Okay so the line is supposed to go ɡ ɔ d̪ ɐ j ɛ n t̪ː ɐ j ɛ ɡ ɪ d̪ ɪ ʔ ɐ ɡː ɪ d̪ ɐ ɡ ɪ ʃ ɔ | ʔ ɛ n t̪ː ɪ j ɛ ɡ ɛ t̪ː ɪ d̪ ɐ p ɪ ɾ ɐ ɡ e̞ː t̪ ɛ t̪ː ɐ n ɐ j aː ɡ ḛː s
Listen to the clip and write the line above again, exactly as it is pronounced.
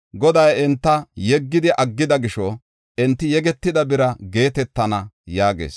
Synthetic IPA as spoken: ɡ ɔ d̪ ɐ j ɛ n t̪ː ɐ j ɛ ɡː ɪ d̪ ɪ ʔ ɐ ɡː ɪ d̪ ɐ ɡ ɪ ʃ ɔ | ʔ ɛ n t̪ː ɪ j ɛ ɡ ɛ t̪ː ɪ d̪ ɐ b ɪ ɾ ɐ ɡ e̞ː t̪ ɛ t̪ː ɐ n ɐ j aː ɡ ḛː s